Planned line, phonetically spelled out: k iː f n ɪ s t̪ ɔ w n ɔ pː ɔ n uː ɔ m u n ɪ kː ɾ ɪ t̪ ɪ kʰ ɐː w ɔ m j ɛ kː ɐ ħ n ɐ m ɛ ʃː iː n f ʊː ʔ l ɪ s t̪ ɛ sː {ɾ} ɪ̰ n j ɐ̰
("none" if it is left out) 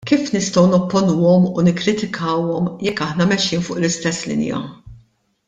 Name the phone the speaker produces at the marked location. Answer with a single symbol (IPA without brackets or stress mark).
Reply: l